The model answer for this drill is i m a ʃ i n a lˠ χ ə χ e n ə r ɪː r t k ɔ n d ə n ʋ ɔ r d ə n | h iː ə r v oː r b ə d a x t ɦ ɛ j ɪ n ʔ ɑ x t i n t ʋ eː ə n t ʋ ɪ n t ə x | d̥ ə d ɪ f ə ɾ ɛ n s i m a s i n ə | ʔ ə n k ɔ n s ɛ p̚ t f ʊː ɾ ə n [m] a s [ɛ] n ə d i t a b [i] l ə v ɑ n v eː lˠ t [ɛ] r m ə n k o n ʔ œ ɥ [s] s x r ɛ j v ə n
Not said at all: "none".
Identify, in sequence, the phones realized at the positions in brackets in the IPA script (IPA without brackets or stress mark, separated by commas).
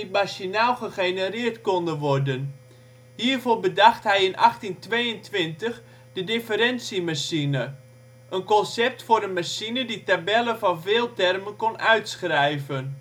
m, i, ɛ, ɛ, t